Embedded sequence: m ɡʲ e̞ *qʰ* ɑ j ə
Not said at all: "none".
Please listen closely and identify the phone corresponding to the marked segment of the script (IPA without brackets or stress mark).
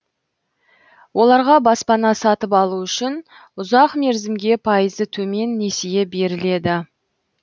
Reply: pʰ